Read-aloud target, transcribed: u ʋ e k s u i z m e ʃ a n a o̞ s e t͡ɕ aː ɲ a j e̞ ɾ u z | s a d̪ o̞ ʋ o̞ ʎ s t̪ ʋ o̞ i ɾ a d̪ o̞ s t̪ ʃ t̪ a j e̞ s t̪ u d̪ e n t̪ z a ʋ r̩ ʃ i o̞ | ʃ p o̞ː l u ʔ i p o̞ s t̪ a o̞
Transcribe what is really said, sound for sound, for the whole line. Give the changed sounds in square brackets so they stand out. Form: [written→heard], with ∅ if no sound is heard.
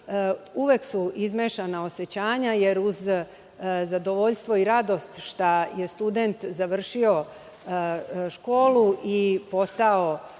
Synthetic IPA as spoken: u ʋ e k s u i z m e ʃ a n a o̞ s e t͡ɕ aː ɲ a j e̞ ɾ u z | [s→z] a d̪ o̞ ʋ o̞ ʎ s t̪ ʋ o̞ i ɾ a d̪ o̞ s t̪ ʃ t̪ a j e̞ s t̪ u d̪ e n t̪ z a ʋ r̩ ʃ i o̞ | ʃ [p→k] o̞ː l u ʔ i p o̞ s t̪ a o̞